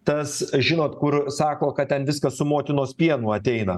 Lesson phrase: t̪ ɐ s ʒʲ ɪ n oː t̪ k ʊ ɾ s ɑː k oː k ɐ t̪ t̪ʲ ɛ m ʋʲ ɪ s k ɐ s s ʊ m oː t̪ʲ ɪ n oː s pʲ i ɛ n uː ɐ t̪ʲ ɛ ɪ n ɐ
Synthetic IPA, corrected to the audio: t̪ ɐ s ʒʲ ɪ n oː t̪ k ʊ ɾ s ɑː k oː k ɐ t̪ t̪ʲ ɛ n ʋʲ ɪ s k ɐ s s ʊ m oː t̪ʲ ɪ n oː s pʲ i ɛ n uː ɐ t̪ʲ ɛ ɪ n ɐ